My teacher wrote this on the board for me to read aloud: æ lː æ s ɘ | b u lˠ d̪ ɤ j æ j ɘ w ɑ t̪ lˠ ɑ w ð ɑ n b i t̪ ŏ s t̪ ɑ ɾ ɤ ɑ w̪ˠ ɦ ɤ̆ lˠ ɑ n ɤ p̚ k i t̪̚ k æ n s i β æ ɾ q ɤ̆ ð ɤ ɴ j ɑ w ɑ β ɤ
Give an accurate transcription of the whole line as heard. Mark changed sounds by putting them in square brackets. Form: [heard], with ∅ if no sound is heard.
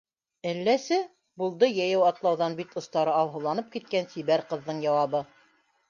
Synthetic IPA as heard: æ lː æ s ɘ | b u lˠ d̪ ɤ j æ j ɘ w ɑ t̪ lˠ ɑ w ð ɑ n b i t̪ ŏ s t̪ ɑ ɾ ɤ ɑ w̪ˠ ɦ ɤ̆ lˠ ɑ n ɤ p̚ k i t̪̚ k æ n s i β æ ɾ q ɤ̆ [ðː] ɤ ɴ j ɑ w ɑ β ɤ